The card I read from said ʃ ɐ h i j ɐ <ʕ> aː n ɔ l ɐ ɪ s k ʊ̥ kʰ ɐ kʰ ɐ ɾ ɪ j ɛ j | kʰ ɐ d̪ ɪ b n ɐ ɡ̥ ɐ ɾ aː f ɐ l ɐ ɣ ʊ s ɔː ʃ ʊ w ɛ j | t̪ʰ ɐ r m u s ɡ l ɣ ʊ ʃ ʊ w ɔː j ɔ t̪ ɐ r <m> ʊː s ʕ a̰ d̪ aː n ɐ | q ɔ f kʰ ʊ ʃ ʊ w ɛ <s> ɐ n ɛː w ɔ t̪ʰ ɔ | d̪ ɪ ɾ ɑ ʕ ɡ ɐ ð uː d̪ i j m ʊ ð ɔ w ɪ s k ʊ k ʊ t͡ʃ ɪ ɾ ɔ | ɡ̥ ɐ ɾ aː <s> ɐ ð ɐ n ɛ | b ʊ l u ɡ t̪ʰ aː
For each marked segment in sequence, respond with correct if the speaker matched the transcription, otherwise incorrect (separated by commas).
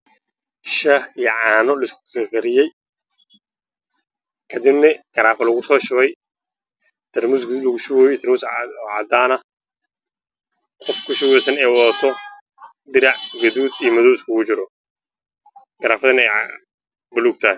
correct, correct, correct, incorrect